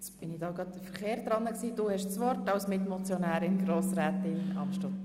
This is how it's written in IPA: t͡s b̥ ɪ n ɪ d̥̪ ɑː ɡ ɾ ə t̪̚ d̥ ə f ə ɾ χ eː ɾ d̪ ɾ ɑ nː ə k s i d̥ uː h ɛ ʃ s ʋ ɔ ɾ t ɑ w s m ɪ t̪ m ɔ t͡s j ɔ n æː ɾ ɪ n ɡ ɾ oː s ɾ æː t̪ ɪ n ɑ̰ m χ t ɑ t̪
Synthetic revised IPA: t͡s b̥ ɪ n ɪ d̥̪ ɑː ɡ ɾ ɑ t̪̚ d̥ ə f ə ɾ χ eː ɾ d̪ ɾ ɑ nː ə k s iː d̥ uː h ɛ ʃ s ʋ ɔ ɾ t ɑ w s m ɪ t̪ m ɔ t͡s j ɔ n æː ɾ ɪ n ɡ ɾ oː s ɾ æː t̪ ɪ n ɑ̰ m ʃ t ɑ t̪